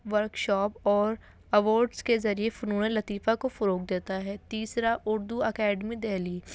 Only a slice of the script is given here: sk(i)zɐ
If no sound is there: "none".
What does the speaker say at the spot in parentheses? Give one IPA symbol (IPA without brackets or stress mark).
e